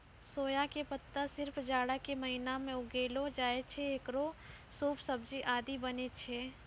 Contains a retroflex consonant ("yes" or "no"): yes